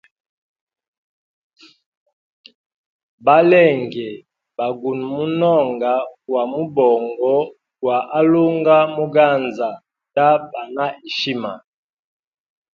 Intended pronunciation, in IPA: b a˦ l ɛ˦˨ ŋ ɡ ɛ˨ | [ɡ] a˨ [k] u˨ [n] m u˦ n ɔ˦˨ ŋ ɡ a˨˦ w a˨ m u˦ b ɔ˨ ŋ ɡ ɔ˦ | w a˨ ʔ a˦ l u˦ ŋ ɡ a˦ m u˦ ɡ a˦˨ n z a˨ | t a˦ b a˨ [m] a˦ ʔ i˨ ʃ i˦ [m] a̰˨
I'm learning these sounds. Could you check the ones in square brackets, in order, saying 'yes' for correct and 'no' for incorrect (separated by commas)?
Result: no, no, yes, no, yes